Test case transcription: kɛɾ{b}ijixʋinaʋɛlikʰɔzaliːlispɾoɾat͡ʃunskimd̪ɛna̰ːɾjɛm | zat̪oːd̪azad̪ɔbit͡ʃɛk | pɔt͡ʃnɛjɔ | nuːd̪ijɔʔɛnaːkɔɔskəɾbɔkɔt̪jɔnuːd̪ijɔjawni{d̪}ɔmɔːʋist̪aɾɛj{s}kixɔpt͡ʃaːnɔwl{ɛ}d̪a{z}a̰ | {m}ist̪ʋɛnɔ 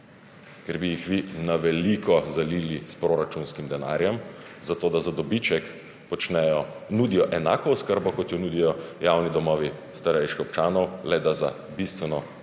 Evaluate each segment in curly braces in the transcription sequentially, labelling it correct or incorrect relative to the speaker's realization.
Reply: correct, correct, incorrect: ʃ, correct, correct, incorrect: b

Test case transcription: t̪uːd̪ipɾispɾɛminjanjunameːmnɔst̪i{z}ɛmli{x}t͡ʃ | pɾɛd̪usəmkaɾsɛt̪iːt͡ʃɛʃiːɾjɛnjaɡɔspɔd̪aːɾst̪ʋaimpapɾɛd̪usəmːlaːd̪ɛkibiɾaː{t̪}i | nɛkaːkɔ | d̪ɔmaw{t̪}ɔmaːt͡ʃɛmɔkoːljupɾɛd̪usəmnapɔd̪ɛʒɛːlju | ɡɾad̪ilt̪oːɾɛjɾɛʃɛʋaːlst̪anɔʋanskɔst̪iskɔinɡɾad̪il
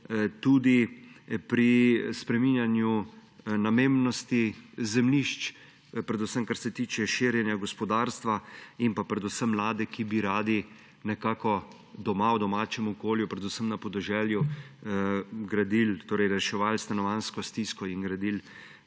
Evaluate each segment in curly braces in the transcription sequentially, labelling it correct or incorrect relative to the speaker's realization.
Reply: correct, incorrect: ʃ, incorrect: d̪, incorrect: d̪

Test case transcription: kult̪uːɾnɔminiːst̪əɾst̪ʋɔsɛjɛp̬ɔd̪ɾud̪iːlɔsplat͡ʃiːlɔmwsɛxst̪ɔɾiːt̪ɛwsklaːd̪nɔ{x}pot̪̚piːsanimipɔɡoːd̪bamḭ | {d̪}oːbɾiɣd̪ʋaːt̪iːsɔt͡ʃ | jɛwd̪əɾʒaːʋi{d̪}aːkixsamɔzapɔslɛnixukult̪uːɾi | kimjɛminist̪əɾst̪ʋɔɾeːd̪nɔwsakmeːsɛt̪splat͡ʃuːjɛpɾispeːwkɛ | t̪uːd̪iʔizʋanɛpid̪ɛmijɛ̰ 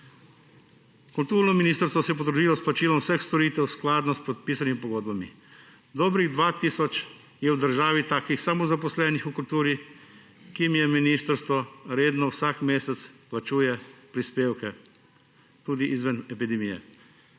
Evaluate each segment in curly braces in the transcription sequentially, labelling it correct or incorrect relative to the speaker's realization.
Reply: incorrect: s, correct, incorrect: t̪

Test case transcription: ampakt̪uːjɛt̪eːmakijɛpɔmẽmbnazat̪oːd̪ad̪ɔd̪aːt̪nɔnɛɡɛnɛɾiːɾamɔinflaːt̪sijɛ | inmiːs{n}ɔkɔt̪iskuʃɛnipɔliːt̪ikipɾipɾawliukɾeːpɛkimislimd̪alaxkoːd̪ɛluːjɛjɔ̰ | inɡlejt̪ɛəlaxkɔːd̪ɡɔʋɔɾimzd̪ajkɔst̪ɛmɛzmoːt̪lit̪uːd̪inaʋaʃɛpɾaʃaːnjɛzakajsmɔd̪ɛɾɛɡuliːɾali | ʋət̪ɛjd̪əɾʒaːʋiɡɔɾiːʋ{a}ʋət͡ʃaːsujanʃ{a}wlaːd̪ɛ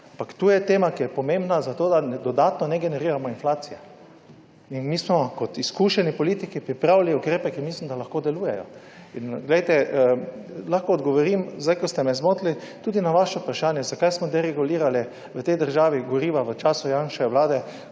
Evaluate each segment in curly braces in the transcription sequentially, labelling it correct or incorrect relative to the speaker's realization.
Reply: incorrect: m, correct, incorrect: ɛ

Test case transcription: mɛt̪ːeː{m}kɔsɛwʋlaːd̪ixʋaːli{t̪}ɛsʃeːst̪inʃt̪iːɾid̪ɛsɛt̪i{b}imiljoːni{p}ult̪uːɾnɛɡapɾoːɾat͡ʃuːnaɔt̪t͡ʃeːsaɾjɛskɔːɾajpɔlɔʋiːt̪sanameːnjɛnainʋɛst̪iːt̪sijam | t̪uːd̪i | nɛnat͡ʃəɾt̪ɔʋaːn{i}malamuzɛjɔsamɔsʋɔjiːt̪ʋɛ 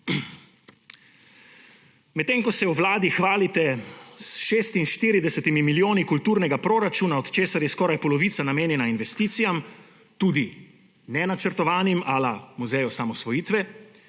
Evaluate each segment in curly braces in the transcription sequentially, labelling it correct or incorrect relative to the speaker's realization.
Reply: incorrect: ŋ, correct, incorrect: m, incorrect: k, correct

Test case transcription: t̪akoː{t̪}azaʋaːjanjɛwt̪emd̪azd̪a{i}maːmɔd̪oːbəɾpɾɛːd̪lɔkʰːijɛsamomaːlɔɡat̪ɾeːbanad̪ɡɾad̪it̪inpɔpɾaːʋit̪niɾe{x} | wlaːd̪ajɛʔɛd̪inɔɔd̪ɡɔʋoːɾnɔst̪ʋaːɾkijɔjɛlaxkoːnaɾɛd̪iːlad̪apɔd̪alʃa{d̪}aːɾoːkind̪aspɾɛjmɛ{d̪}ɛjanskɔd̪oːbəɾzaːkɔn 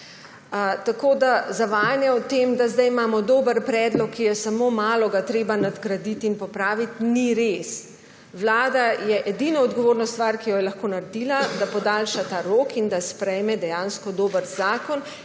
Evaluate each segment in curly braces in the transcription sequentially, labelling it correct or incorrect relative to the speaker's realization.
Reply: incorrect: d̪, incorrect: j, incorrect: s, incorrect: t̪, correct

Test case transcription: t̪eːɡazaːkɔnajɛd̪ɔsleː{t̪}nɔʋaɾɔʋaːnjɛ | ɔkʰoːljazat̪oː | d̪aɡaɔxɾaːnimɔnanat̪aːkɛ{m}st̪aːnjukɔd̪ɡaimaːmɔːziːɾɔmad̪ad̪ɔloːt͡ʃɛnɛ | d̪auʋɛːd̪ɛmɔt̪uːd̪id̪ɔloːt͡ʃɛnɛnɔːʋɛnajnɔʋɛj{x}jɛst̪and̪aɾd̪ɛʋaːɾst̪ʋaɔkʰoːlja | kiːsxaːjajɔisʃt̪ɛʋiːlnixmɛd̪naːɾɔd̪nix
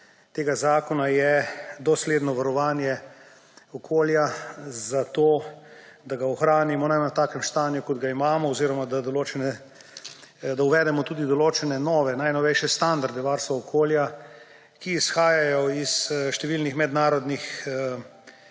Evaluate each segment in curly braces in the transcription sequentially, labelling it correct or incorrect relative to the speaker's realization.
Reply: incorrect: d̪, correct, incorrect: ʃ

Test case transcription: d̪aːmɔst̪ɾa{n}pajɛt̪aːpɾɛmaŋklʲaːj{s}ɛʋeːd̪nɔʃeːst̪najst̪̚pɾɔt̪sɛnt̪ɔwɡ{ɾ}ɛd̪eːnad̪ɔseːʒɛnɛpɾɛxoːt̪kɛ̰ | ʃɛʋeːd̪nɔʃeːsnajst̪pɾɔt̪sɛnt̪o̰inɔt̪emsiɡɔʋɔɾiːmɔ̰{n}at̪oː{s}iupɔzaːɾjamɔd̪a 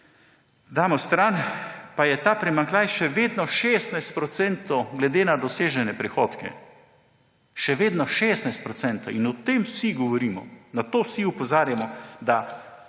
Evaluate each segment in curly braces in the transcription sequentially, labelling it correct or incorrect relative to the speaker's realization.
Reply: correct, incorrect: ʃ, incorrect: l, correct, correct

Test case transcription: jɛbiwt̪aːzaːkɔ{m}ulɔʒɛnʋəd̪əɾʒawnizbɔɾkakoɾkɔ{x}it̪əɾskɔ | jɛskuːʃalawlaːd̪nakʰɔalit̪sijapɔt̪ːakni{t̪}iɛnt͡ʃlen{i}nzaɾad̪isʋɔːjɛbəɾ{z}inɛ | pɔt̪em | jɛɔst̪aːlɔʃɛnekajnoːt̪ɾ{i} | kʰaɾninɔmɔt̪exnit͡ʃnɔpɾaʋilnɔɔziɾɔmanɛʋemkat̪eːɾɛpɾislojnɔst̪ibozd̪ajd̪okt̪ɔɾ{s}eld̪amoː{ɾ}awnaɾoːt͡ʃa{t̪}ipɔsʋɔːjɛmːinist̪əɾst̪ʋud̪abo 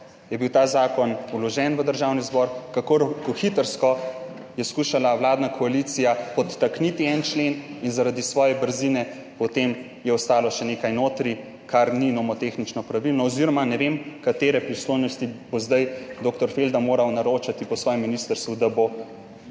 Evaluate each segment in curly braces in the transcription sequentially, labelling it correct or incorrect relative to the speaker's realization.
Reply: incorrect: n, correct, correct, correct, correct, correct, incorrect: f, correct, correct

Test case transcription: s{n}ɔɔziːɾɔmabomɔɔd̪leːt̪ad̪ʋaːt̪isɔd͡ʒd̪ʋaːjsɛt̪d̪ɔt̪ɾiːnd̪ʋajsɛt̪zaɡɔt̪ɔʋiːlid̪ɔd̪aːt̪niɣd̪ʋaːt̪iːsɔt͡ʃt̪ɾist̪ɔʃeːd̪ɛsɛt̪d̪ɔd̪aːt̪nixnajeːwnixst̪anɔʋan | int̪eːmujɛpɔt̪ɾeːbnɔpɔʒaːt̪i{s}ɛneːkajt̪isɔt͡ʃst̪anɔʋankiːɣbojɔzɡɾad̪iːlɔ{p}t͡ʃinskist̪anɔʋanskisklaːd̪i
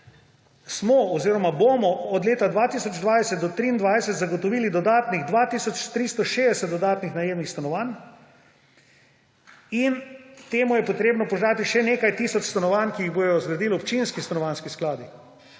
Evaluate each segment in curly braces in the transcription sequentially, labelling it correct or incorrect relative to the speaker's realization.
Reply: incorrect: m, incorrect: ʃ, correct

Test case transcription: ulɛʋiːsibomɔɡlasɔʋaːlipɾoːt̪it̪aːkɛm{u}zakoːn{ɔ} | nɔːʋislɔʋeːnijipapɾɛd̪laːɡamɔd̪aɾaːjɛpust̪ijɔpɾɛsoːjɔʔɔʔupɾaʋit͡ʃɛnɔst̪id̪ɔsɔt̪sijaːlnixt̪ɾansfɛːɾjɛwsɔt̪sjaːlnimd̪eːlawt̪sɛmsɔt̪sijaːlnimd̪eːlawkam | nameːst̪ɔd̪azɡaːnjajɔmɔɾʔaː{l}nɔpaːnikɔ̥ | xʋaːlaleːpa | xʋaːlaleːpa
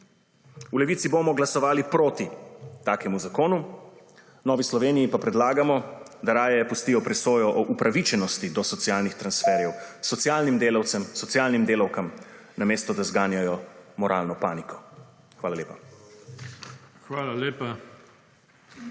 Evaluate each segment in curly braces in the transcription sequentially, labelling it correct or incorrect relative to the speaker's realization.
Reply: correct, incorrect: u, correct

